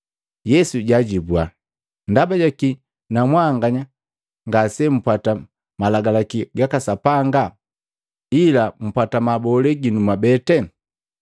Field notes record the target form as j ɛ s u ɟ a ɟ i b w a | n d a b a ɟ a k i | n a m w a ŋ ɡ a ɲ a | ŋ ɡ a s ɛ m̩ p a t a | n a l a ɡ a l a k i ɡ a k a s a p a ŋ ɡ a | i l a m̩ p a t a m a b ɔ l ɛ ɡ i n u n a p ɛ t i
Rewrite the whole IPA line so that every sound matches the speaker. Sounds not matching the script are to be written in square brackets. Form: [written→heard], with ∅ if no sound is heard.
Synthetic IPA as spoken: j ɛ s u ɟ a ɟ i b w a | n d a b a ɟ a k i | n a m w a ŋ ɡ a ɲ a | ŋ ɡ a s ɛ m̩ p a t a | [n→m] a l a ɡ a l a k i ɡ a k a s a p a ŋ ɡ a | i l a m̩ p a t a m a b ɔ l ɛ ɡ i n u [n→m] a [p→b] ɛ t [i→ɛ]